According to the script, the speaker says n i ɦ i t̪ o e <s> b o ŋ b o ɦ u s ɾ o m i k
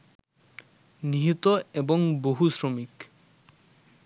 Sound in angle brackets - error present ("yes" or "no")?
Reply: yes